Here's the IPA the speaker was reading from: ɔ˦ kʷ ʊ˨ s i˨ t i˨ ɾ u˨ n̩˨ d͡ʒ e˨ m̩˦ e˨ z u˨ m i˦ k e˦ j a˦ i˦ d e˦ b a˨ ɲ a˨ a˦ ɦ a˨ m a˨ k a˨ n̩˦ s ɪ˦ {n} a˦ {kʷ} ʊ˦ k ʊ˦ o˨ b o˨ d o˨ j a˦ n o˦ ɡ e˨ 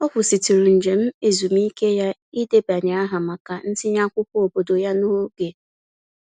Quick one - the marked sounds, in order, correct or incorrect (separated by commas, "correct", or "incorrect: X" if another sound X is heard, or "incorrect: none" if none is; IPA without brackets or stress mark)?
incorrect: ɲ, correct